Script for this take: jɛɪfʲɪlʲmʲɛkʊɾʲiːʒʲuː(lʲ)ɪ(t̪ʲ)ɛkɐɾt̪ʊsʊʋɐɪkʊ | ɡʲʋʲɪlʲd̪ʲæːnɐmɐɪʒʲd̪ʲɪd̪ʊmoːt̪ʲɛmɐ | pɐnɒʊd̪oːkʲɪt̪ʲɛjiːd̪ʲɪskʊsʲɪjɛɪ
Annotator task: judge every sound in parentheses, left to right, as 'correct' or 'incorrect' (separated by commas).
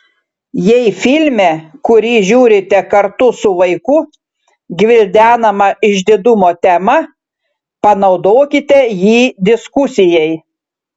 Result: incorrect, correct